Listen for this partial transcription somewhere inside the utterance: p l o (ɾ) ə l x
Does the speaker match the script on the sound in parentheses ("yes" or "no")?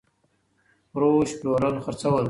yes